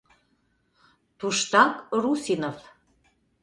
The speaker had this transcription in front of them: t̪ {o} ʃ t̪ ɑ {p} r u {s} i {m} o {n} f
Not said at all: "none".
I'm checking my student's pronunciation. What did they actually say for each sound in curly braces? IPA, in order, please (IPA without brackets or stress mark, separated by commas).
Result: u, k, s, n, none